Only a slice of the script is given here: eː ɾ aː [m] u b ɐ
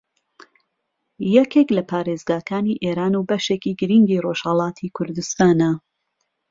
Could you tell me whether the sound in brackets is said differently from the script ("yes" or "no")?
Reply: yes